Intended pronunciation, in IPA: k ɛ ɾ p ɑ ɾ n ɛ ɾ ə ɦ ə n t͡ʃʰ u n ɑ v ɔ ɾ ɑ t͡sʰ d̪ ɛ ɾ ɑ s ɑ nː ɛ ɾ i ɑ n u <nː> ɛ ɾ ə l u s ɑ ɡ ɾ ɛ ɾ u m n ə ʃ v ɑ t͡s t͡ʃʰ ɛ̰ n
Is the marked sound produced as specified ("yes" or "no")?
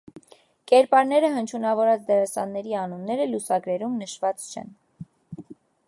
yes